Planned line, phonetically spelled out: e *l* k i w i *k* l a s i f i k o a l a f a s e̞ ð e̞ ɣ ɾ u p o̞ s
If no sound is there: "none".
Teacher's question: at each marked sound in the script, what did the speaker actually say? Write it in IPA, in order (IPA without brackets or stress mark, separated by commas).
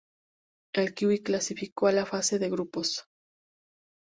l, k